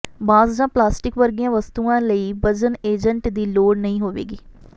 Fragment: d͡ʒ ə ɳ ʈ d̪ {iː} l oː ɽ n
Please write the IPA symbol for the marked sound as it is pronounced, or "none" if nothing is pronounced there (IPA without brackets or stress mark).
iː